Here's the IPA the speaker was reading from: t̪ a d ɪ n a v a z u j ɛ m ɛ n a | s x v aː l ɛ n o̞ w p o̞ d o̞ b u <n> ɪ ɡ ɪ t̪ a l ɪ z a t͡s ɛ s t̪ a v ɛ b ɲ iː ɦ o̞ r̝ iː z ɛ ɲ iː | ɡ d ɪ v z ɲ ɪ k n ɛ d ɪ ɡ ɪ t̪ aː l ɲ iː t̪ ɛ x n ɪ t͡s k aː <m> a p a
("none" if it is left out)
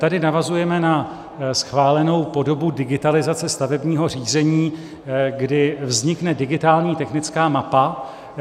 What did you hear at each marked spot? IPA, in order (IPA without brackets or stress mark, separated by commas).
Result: d, m